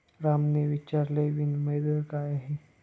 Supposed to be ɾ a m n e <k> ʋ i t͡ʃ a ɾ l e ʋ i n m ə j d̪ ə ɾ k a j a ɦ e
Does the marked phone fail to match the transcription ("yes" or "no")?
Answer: yes